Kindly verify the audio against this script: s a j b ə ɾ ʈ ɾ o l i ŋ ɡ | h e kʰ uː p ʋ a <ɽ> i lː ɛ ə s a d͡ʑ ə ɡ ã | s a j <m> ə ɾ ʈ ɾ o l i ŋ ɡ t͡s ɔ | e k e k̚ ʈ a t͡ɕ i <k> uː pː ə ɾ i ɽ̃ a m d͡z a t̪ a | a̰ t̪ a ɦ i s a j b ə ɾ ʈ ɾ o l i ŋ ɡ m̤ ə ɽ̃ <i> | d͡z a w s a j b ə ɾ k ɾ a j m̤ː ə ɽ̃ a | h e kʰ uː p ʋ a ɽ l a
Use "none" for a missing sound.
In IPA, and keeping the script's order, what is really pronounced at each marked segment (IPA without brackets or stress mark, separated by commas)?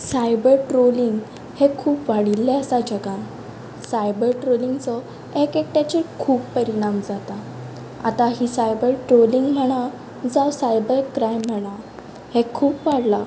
ɽ, b, kʰ, a